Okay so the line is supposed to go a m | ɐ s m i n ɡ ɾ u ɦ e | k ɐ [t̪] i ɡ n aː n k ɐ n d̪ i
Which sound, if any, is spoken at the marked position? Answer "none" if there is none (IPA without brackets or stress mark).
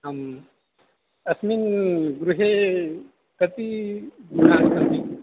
t̪